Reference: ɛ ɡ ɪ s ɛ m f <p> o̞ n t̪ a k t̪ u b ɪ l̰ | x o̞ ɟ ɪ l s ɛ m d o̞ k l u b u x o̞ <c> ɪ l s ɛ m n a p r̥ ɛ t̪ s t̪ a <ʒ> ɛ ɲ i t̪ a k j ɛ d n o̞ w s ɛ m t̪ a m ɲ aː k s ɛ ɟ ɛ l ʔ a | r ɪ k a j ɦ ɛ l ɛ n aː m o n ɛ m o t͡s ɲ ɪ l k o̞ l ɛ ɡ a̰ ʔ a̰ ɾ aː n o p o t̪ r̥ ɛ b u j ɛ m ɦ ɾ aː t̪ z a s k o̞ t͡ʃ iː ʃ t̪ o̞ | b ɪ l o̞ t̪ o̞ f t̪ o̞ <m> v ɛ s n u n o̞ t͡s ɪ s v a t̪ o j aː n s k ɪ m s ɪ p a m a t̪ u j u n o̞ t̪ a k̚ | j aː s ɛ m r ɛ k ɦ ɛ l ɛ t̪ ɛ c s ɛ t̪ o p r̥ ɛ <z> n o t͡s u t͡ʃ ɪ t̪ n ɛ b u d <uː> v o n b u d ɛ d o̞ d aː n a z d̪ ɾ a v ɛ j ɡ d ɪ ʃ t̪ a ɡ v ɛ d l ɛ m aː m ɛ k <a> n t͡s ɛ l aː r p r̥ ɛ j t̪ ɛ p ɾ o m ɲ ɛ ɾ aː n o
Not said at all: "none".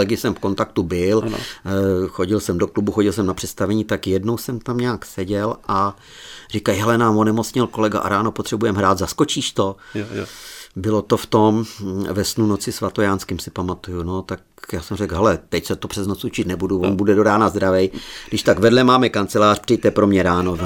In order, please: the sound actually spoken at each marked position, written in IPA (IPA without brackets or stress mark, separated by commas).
k, ɟ, v, m, z, u, a